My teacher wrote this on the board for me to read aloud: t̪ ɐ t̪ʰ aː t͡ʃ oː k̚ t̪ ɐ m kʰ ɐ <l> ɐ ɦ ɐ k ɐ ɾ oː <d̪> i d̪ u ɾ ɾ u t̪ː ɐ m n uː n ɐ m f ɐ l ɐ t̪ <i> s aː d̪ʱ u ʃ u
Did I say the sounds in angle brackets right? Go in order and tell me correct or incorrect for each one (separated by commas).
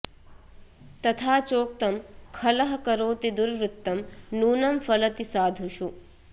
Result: correct, incorrect, correct